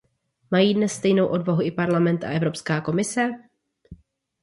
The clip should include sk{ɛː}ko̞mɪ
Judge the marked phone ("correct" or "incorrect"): incorrect